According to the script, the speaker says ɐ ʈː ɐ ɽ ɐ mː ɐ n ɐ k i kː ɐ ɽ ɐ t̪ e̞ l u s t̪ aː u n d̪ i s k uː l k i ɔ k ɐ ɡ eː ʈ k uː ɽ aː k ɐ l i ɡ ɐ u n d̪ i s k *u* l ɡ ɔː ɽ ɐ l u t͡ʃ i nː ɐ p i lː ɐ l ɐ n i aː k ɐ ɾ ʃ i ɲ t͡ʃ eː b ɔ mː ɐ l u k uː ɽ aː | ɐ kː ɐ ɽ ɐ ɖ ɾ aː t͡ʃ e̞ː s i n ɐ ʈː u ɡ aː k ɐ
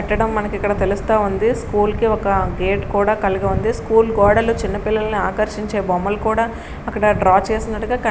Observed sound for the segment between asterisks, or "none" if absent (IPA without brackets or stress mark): uː